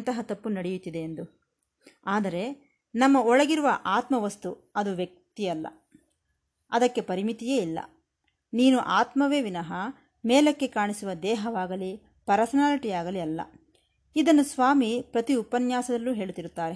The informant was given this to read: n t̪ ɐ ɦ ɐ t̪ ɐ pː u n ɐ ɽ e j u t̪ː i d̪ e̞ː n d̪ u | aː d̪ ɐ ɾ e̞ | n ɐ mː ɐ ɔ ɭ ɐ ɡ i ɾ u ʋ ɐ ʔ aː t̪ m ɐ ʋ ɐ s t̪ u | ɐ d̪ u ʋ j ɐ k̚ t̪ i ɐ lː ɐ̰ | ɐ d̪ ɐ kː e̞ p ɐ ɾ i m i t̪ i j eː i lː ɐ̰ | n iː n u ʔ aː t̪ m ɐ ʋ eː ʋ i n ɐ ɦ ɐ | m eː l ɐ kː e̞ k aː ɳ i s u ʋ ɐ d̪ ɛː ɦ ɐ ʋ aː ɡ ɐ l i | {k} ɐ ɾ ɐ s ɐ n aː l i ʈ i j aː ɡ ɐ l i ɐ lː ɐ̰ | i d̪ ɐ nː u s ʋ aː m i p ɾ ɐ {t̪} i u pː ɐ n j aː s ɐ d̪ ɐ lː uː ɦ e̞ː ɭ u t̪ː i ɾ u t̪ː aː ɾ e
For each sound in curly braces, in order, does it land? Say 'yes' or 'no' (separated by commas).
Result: no, yes